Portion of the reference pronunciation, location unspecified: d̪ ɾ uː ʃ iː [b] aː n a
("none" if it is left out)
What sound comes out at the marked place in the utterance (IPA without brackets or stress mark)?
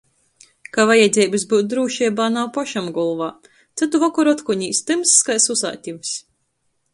b